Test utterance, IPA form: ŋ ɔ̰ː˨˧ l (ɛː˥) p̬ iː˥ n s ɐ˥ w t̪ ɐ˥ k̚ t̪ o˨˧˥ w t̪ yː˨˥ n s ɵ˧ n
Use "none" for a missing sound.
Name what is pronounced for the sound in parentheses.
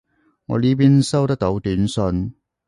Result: iː˥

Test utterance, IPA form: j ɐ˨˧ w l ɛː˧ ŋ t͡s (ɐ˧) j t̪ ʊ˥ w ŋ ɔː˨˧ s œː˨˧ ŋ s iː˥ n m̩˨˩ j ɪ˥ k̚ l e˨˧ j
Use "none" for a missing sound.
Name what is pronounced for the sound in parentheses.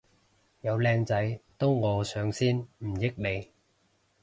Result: ɐ˨˥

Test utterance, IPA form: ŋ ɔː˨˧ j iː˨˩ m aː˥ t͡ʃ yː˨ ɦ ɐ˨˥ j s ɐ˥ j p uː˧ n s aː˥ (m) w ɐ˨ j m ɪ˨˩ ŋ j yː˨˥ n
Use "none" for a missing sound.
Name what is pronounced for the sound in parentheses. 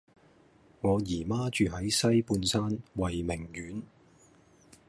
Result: n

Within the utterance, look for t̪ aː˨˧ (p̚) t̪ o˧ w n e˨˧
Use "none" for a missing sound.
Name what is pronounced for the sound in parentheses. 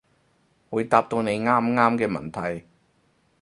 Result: p̚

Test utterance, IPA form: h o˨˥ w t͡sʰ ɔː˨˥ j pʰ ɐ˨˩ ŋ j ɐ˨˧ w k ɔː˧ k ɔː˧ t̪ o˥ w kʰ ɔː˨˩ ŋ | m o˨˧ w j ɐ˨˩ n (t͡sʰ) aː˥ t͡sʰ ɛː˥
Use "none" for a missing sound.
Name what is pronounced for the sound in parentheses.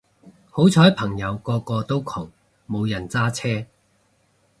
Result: t͡s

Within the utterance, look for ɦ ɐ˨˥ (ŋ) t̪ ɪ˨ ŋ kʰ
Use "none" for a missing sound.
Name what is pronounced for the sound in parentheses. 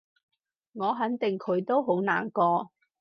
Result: n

